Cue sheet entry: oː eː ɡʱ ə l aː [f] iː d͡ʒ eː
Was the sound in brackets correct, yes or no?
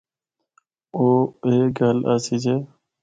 no